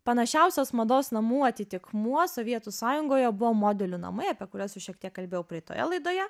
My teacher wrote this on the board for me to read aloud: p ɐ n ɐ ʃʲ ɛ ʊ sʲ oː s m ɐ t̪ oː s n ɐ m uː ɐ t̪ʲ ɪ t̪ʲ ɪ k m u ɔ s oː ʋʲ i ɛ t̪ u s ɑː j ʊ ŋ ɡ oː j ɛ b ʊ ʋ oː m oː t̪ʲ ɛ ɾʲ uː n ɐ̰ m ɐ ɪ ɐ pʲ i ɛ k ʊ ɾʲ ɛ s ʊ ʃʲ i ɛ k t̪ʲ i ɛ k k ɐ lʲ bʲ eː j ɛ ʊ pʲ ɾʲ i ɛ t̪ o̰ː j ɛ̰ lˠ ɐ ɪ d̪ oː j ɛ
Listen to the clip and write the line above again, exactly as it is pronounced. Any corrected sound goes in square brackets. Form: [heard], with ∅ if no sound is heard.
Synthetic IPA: p ɐ n ɐ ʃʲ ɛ ʊ sʲ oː s m ɐ [d̪] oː s n ɐ m uː ɐ t̪ʲ ɪ t̪ʲ ɪ k m u ɔ s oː ʋʲ i ɛ t̪ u s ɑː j ʊ ŋ ɡ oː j ɛ b ʊ ʋ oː m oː [d̪ʲ] ɛ [lʲ] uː n ɐ̰ m ɐ ɪ ɐ pʲ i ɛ k ʊ ɾʲ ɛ s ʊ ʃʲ i ɛ k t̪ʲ i ɛ k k ɐ lʲ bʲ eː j ɛ ʊ pʲ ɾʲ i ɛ t̪ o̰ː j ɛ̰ lˠ ɐ ɪ d̪ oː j ɛ